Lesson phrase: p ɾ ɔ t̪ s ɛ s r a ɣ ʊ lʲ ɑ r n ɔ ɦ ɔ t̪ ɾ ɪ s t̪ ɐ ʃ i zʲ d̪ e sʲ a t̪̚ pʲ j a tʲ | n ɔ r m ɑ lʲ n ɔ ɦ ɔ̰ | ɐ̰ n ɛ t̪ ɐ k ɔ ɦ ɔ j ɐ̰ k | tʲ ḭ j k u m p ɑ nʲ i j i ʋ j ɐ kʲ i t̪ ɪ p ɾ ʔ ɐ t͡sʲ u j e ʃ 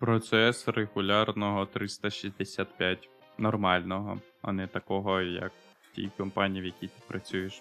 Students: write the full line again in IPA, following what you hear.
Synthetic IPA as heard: p ɾ ɔ t̪ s ɛ s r e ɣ ʊ lʲ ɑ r n ɔ ɦ ɔ t̪ ɾ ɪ s t̪ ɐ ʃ i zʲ d̪ e sʲ a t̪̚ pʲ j a tʲ | n ɔ r m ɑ lʲ n ɔ ɦ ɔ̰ | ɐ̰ n ɛ t̪ ɐ k ɔ ɦ ɔ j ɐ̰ k | tʲ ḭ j k ɔ m p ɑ nʲ i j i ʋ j ɐ kʲ i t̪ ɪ p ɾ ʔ ɐ t͡sʲ u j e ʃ